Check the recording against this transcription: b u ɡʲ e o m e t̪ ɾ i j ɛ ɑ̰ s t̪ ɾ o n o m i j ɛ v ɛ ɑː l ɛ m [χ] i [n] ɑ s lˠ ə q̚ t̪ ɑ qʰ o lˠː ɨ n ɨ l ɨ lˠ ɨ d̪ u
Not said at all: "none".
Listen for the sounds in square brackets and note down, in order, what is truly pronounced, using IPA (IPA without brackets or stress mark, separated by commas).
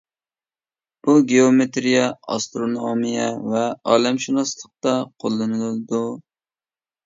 ʃ, n